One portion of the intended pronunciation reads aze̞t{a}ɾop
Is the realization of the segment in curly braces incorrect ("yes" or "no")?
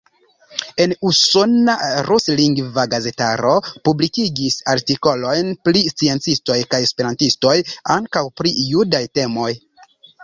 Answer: no